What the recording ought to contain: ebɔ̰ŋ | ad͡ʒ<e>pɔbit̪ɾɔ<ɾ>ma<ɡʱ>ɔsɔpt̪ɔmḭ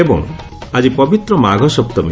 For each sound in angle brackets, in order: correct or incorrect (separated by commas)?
incorrect, incorrect, correct